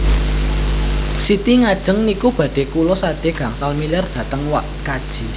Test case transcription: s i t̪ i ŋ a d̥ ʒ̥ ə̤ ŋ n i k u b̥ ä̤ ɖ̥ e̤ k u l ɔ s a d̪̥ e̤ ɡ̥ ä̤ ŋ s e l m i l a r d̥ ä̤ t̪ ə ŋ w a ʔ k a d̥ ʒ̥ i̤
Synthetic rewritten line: s i t̪ i ŋ a d̥ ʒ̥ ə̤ ŋ n i k u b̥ ä̤ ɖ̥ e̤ k u l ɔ s a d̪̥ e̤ ɡ̥ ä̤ ŋ s a l m i l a r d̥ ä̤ t̪ ə ŋ w a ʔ k a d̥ ʒ̥ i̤